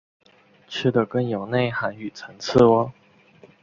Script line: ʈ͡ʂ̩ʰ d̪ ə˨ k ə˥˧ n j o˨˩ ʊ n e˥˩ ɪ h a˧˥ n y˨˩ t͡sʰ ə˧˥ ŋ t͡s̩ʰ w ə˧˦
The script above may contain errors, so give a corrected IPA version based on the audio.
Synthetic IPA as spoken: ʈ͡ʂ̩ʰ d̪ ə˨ k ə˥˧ n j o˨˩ ʊ n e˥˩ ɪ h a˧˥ n y˨˩ t͡sʰ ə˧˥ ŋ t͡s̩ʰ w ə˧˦

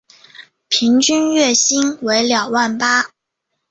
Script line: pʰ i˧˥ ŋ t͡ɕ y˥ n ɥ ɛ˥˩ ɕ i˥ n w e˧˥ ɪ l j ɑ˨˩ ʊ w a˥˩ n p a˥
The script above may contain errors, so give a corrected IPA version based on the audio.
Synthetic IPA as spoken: pʰ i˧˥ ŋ t͡ɕ y˥ n ɥ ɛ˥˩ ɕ i˥ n w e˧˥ ɪ l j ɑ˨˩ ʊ w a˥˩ n p a˥

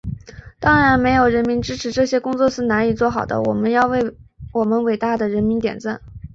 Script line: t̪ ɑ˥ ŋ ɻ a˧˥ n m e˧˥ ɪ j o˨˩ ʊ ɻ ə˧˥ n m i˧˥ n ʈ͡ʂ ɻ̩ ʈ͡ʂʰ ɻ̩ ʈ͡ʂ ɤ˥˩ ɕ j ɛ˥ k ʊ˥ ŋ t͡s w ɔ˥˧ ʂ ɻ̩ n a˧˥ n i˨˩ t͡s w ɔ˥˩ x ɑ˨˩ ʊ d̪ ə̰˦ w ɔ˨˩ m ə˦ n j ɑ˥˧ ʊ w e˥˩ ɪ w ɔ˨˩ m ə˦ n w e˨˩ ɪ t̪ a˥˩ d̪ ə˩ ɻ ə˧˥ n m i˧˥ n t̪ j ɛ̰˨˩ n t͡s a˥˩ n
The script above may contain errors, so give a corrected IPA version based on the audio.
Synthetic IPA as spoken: t̪ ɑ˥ ŋ ɻ a˧˥ n m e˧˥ ɪ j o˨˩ ʊ ɻ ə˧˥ n m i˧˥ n ʈ͡ʂ ɻ̩ ʈ͡ʂʰ ɻ̩ ʈ͡ʂ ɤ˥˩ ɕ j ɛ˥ k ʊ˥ ŋ t͡s w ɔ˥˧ ʂ ɻ̩ n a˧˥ n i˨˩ t͡s w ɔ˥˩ x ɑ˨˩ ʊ d̪ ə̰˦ w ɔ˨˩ m ə˦ n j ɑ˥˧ ʊ w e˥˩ ɪ w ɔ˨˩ m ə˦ n w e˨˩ ɪ t̪ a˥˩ d̪ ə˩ ɻ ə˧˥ n m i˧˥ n t̪ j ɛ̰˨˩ n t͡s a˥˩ n

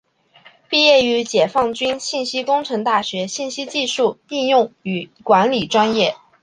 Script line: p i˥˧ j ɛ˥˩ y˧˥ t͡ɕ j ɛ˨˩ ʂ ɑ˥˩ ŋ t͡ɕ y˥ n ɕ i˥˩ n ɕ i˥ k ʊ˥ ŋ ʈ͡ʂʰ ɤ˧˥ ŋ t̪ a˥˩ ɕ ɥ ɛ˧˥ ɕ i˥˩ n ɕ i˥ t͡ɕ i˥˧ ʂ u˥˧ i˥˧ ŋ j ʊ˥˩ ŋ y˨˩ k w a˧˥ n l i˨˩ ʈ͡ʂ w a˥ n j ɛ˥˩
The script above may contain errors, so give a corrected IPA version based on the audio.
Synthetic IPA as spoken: p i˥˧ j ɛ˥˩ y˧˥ t͡ɕ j ɛ˨˩ f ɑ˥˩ ŋ t͡ɕ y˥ n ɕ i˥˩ n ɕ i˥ k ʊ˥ ŋ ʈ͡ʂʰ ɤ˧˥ ŋ t̪ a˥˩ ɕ ɥ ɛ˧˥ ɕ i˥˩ n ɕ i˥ t͡ɕ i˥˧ ʂ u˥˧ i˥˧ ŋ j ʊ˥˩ ŋ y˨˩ k w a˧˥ n l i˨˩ ʈ͡ʂ w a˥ n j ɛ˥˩

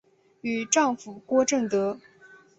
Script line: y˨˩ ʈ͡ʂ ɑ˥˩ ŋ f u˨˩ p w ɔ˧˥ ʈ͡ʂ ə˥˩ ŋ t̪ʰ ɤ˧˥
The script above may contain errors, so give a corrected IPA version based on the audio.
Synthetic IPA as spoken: y˨˩ ʈ͡ʂ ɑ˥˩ ŋ f u˨˩ k w ɔ˥ ʈ͡ʂ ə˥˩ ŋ t̪ ɤ˧˥

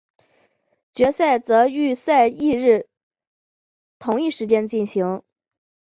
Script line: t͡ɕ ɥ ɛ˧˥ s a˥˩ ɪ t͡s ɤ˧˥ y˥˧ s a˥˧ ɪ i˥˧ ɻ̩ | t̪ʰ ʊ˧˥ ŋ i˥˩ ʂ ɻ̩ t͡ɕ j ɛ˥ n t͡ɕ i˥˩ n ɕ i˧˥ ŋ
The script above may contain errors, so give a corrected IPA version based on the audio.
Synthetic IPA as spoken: t͡ɕ ɥ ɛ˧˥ s a˥˩ ɪ t͡s ɤ˧˥ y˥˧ s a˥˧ ɪ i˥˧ ɻ̩ | t̪ʰ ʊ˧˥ ŋ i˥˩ ʂ ɻ̩ t͡ɕ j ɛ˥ n t͡ɕ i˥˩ n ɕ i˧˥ ŋ

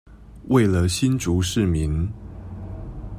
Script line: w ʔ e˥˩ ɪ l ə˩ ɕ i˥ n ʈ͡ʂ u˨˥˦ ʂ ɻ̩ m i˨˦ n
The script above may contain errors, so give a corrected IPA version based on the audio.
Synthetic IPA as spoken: w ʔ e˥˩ ɪ l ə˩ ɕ i˥ n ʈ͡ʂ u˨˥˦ ʂ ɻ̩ m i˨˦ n

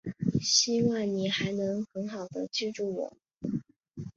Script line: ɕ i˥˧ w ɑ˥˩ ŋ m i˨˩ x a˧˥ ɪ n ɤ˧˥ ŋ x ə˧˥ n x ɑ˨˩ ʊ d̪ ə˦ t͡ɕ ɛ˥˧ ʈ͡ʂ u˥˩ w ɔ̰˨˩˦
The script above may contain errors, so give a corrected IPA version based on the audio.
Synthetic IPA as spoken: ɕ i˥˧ w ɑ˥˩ ŋ n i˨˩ x a˧˥ ɪ n ɤ˧˥ ŋ x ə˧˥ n x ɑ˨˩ ʊ d̪ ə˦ t͡ɕ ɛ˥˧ ʈ͡ʂ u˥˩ w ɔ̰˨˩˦

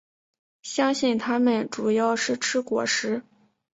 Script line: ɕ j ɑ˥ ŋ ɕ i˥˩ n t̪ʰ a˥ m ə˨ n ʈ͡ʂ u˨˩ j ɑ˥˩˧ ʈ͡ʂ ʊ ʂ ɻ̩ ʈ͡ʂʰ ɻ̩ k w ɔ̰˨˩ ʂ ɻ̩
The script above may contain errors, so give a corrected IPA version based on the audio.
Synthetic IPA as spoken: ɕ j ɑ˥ ŋ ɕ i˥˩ n t̪ʰ a˥ m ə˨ n ʈ͡ʂ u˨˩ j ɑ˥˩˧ ʊ ʂ ɻ̩ ʈ͡ʂʰ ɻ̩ k w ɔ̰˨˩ ʂ ɻ̩

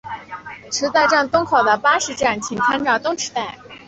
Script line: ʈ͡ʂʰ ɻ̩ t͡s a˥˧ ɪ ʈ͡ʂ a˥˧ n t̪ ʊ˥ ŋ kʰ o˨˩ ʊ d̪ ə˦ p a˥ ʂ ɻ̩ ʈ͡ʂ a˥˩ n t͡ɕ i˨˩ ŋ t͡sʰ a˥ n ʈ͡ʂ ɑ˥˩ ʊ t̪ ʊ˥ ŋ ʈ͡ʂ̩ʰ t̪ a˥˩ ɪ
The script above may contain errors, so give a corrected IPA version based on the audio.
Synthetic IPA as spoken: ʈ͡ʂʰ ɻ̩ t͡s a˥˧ ɪ ʈ͡ʂ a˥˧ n t̪ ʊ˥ ŋ kʰ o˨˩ ʊ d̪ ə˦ p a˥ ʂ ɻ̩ ʈ͡ʂ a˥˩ n t͡ɕʰ i˨˩ ŋ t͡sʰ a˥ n ʈ͡ʂ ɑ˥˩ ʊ t̪ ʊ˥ ŋ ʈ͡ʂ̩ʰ t̪ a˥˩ ɪ

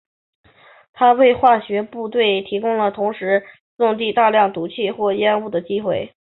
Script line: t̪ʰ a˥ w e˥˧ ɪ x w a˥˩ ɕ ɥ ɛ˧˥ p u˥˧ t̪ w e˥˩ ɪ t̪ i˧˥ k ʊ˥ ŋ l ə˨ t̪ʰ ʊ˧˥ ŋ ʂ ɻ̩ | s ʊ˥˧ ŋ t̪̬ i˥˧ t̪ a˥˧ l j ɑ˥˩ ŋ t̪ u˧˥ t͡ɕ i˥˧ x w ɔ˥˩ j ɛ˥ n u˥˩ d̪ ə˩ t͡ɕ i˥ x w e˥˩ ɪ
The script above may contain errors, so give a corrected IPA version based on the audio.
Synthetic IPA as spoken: t̪ʰ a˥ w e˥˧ ɪ x w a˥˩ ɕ ɥ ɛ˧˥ p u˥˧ t̪ w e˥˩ ɪ t̪ʰ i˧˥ k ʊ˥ ŋ l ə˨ t̪ʰ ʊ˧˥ ŋ ʂ ɻ̩ | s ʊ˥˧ ŋ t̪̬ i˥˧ t̪ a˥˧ l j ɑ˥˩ ŋ t̪ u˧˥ t͡ɕʰ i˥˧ x w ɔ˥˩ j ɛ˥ n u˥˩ d̪ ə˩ t͡ɕ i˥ x w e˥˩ ɪ

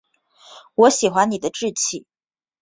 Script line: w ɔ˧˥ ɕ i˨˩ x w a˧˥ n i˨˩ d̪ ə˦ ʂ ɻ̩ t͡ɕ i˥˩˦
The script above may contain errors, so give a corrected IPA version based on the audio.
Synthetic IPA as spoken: w ɔ˧˥ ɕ i˨˩ x w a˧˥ n i˨˩ d̪ ə˦ ʈ͡ʂ ɻ̩ t͡ɕʰ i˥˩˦

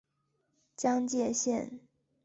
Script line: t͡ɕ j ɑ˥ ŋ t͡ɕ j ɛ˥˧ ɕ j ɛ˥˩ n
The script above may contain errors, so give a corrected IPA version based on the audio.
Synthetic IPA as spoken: t͡ɕ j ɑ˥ ŋ t͡ɕ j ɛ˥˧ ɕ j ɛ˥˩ n

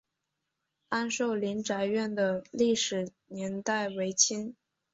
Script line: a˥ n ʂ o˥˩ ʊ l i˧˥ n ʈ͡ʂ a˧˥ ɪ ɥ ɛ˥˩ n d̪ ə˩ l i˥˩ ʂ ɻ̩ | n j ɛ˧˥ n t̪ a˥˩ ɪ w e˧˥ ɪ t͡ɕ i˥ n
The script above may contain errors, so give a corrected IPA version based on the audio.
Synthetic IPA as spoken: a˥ n ʂ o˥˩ ʊ l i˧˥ n ʈ͡ʂ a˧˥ ɪ ɥ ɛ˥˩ n d̪ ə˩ l i˥˩ ʂ ɻ̩ | n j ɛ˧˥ n t̪ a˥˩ ɪ w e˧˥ ɪ t͡ɕʰ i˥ n

